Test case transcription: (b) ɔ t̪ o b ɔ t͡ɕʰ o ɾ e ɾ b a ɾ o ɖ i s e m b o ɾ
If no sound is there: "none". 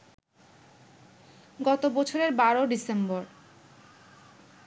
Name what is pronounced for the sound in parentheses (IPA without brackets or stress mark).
ɡ